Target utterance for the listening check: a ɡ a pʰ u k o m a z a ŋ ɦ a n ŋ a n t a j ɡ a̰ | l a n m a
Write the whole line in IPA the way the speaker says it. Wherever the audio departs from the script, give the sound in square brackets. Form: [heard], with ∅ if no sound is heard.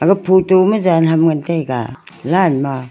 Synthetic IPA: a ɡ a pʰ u [t] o m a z a [n] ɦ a [m] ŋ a n t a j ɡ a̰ | l a n m a